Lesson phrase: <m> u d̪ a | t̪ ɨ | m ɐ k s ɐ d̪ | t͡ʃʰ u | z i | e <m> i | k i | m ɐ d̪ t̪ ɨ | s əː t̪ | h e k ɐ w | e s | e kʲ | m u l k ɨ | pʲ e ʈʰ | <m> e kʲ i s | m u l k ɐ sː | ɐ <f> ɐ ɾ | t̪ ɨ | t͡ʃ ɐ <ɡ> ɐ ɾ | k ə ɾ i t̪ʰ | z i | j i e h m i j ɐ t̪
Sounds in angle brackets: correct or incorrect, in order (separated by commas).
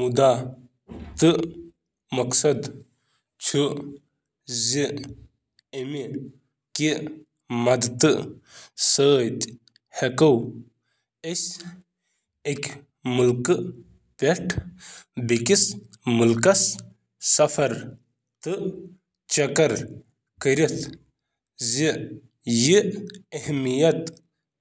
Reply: correct, correct, incorrect, correct, incorrect